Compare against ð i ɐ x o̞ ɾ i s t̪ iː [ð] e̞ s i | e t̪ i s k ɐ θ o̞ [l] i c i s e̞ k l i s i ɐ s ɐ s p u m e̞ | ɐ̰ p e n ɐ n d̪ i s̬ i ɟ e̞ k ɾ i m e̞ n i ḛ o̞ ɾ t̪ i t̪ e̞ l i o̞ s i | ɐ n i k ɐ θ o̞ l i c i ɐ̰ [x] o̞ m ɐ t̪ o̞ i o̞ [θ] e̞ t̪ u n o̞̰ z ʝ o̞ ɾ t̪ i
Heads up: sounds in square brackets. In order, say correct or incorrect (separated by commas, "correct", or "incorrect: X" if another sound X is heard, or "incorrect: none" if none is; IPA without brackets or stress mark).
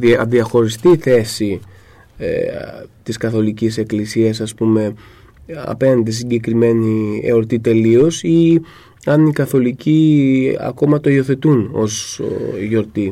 incorrect: θ, correct, incorrect: k, correct